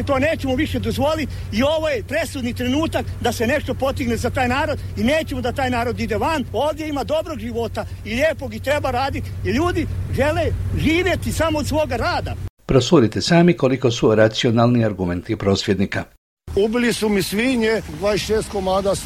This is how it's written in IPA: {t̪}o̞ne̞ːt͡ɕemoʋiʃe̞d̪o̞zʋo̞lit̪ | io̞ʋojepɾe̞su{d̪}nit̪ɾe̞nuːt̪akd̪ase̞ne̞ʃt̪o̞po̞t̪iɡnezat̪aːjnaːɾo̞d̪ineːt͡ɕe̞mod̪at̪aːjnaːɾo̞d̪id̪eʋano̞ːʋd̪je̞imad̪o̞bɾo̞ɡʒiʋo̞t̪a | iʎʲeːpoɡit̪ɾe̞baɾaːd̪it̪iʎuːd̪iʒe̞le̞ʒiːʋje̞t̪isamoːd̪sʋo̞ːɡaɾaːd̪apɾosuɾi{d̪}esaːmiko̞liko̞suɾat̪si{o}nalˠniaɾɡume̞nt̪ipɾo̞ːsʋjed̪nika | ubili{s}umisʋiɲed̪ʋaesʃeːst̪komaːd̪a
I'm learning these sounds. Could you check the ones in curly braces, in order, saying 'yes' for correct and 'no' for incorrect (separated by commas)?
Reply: yes, yes, no, yes, yes